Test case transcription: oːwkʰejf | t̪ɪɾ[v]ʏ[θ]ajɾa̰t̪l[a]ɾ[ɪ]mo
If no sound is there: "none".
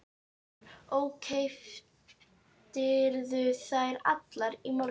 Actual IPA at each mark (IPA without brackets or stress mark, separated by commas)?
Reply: ð, θ, a, i